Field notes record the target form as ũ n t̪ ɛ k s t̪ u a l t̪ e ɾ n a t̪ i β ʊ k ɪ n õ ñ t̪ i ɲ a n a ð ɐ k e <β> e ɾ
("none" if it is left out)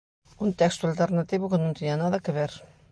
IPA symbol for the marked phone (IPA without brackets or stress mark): β